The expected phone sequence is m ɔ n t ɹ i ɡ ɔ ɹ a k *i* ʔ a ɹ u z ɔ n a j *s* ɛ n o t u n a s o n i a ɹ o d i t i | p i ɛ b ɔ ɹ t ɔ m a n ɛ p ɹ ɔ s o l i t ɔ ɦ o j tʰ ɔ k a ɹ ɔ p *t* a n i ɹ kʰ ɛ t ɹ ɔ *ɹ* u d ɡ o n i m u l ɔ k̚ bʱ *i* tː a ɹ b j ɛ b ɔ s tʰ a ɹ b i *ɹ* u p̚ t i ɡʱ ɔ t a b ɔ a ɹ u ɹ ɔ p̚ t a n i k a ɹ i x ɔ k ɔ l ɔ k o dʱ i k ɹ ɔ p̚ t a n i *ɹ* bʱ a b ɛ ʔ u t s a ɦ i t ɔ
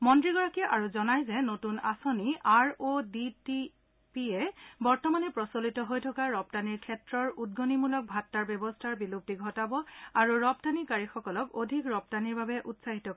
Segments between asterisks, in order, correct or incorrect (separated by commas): correct, incorrect, correct, correct, incorrect, incorrect, correct